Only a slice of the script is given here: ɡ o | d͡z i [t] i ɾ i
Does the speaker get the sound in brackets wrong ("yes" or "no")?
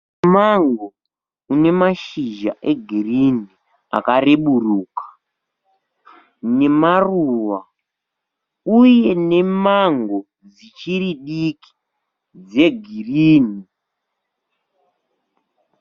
yes